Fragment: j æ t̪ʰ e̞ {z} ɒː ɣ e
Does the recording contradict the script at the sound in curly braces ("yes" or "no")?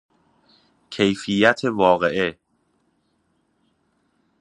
yes